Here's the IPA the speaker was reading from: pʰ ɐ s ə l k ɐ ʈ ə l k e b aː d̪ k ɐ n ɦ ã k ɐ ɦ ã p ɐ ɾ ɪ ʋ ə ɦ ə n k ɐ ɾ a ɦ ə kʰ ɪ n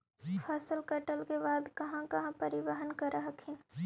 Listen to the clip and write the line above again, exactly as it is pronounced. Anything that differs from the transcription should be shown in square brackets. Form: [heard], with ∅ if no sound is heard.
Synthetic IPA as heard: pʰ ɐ s ə l k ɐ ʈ ə l k e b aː d̪ k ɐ [∅] ɦ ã k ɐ ɦ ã p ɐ ɾ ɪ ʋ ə ɦ ə n k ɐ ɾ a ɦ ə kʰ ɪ n